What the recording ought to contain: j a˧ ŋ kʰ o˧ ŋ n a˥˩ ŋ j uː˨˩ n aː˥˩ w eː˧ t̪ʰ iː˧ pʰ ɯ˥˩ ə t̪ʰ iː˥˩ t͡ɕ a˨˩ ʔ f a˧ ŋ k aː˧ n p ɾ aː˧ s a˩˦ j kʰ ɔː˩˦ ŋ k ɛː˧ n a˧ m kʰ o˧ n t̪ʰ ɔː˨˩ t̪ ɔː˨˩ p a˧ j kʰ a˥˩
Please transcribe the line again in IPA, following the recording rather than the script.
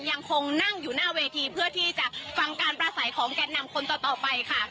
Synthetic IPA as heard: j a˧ ŋ kʰ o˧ ŋ n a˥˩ ŋ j uː˨˩ n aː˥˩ w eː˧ t̪ʰ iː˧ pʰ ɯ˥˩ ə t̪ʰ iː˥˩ t͡ɕ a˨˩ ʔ f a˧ ŋ k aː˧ n p ɾ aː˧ s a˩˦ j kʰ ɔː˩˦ ŋ k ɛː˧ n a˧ m kʰ o˧ n t̪ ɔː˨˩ t̪ ɔː˨˩ p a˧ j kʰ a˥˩